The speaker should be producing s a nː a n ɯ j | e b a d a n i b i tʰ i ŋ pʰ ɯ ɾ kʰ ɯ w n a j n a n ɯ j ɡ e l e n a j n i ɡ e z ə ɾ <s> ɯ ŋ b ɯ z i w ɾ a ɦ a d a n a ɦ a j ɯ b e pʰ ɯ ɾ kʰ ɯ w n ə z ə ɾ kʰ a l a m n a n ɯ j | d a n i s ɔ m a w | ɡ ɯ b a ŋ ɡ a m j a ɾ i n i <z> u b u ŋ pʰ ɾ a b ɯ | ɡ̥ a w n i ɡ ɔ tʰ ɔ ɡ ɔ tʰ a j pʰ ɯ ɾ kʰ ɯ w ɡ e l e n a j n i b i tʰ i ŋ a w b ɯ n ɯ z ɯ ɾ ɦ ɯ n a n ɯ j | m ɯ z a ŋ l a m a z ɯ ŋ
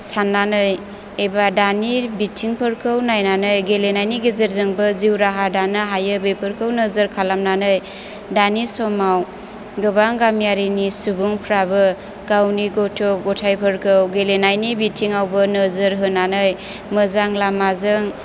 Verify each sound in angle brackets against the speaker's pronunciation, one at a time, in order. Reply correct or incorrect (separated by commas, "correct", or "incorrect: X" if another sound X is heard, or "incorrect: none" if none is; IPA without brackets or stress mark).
incorrect: z, incorrect: s